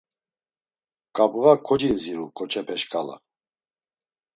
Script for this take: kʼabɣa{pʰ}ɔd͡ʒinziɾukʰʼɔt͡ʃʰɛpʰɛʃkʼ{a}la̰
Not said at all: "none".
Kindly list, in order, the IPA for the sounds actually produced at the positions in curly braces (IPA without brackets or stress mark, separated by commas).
kʰ, a